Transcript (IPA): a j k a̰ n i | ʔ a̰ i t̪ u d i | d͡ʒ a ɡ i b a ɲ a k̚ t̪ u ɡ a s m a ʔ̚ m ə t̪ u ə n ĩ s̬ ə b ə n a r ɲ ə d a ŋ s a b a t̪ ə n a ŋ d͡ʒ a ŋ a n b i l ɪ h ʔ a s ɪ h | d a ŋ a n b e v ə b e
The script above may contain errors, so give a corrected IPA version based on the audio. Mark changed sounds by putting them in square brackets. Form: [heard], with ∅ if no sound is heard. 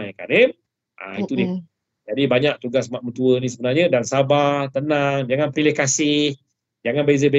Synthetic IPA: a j k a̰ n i | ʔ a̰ i t̪ u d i | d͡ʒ a [d] i b a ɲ a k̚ t̪ u ɡ a s m a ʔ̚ m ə t̪ u ə n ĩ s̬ ə b ə n a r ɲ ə d a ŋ s a b a t̪ ə n a ŋ d͡ʒ a ŋ a n [p] i l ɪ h [k] a s ɪ h | [d͡ʒ] a ŋ a n b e [z] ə b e